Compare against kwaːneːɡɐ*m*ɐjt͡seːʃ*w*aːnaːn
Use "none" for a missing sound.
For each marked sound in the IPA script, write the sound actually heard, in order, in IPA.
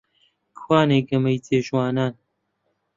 m, w

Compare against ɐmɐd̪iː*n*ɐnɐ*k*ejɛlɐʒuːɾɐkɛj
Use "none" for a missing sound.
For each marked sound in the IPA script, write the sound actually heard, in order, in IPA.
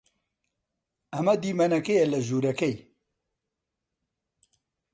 m, k

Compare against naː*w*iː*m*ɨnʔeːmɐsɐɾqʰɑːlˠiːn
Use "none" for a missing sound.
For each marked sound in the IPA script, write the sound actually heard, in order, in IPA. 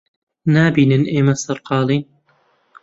b, n

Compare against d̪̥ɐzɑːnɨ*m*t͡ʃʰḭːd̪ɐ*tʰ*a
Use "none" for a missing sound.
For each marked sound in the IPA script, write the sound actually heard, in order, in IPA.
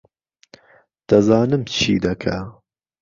m, kʰ

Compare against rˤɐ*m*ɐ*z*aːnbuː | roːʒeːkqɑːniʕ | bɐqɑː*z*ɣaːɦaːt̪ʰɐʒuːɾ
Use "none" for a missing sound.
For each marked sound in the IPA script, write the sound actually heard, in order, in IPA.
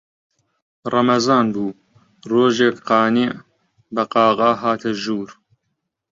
m, z, none

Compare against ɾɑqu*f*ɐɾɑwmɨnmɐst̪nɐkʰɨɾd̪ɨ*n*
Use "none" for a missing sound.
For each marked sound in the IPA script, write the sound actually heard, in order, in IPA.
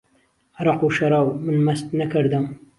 ʃ, m

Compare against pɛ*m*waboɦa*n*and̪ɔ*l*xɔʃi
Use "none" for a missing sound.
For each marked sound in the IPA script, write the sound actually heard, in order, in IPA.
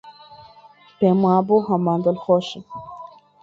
m, m, l

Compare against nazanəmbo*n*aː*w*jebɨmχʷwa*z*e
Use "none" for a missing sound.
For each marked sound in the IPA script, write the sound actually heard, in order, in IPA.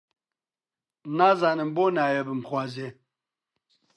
n, none, z

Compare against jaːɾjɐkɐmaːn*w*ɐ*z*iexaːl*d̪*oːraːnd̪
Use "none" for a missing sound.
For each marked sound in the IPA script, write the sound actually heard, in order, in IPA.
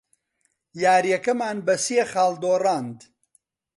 b, s, d̪

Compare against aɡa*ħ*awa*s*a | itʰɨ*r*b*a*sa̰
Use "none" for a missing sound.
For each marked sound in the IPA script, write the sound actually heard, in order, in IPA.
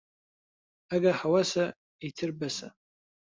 ħ, s, r, a

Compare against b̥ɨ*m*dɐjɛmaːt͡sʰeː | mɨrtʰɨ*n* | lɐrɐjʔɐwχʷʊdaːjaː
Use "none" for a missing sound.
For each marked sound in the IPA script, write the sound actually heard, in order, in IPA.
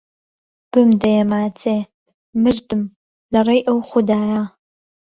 m, m

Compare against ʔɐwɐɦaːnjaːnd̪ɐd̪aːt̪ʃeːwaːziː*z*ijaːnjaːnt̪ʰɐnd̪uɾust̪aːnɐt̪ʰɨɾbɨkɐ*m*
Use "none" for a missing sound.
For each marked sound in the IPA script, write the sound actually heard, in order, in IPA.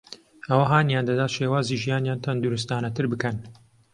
ʒ, n

